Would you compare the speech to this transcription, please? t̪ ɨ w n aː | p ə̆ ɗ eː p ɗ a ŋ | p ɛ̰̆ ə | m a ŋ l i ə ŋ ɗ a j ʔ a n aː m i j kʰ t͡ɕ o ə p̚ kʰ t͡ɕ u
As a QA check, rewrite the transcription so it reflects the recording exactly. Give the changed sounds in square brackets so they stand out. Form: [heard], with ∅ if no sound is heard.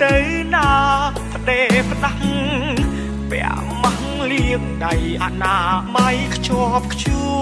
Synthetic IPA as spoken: t̪ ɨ w n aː | p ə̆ ɗ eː p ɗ a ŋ | p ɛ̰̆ ə | m a ŋ l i ə ŋ ɗ a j ʔ a n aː m [a] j kʰ t͡ɕ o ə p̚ kʰ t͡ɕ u